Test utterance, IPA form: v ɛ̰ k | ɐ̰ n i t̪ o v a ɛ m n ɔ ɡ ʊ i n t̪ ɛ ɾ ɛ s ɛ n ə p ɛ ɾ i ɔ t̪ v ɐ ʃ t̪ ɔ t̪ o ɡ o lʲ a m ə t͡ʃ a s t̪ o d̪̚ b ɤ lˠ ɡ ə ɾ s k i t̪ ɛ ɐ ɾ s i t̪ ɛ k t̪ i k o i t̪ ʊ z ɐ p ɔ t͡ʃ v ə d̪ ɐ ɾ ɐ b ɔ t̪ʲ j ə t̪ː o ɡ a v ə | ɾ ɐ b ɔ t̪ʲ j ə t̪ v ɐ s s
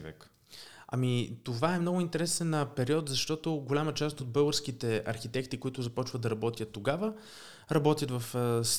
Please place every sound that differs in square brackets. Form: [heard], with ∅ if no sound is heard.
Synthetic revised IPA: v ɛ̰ k | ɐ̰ [m] i t̪ o v a ɛ m n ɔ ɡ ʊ i n t̪ ɛ ɾ ɛ s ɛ n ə p ɛ ɾ i ɔ t̪ [z] ɐ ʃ t̪ ɔ t̪ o ɡ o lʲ a m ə t͡ʃ a s t̪ o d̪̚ b ɤ lˠ ɡ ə ɾ s k i t̪ ɛ ɐ ɾ [x] i t̪ ɛ k t̪ i k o i t̪ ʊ z ɐ p ɔ t͡ʃ v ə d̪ ɐ ɾ ɐ b ɔ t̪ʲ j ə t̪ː o ɡ a v ə | ɾ ɐ b ɔ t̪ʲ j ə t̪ v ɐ [f] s